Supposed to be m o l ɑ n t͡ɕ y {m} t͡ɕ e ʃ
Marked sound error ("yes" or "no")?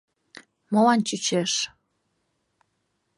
yes